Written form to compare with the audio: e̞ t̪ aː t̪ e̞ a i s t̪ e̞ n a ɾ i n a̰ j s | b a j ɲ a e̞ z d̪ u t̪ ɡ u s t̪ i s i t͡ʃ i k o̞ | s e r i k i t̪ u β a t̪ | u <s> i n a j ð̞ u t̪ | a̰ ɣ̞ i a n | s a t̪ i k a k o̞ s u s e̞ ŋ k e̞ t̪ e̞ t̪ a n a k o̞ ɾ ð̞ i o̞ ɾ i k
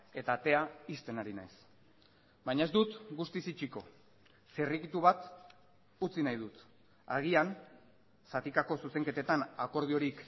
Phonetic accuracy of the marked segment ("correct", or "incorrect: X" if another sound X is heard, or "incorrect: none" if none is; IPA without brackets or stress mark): incorrect: t͡s